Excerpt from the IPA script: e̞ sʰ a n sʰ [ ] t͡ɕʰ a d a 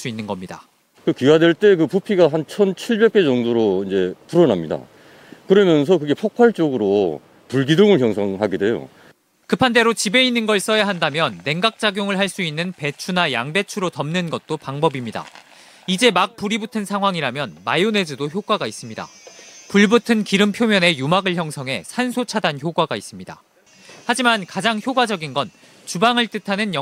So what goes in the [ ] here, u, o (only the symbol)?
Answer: o